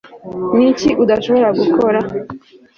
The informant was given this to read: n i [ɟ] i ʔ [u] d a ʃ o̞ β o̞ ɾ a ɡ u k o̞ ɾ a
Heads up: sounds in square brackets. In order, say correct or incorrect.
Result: incorrect: c, correct

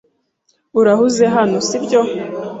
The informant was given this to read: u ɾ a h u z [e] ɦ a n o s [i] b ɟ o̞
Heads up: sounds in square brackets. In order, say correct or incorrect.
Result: correct, correct

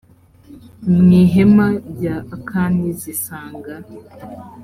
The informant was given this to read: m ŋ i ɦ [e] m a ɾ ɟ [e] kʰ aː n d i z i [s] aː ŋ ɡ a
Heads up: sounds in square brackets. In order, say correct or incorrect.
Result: correct, incorrect: a, correct

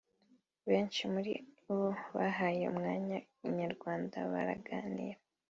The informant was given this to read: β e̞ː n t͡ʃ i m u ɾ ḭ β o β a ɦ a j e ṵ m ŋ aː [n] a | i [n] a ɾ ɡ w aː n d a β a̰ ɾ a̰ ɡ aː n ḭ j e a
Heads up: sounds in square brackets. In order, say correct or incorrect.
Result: incorrect: ɲ, incorrect: ɲ

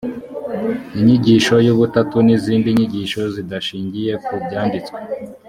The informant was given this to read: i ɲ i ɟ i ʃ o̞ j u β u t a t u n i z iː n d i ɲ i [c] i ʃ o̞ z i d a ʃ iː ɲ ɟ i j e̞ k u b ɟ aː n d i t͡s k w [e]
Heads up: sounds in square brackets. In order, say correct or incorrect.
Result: incorrect: ɟ, correct

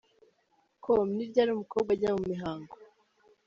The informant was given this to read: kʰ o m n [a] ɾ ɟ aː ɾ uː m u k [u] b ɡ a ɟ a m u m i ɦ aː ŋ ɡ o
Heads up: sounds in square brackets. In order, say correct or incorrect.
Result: incorrect: i, incorrect: o

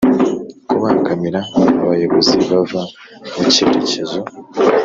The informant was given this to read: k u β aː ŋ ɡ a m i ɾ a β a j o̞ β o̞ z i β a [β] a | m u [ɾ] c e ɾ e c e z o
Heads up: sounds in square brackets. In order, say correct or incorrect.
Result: incorrect: v, incorrect: none

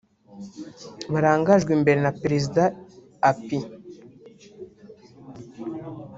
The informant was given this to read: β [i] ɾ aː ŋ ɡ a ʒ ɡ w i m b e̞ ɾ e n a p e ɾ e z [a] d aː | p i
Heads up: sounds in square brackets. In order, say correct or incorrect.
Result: incorrect: a, incorrect: i

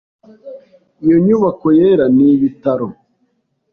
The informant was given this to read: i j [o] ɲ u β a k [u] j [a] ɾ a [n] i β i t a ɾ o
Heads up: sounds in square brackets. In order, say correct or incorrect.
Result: correct, incorrect: o, incorrect: e, correct

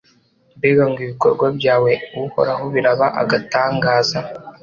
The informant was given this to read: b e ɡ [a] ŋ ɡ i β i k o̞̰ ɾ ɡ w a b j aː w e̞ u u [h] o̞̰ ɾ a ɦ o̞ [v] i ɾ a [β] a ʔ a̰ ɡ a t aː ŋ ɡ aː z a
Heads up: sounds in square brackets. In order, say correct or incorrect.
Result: correct, correct, incorrect: β, correct

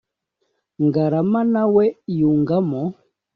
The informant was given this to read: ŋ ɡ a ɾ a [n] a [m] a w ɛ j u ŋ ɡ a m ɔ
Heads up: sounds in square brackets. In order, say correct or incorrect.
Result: incorrect: m, incorrect: n

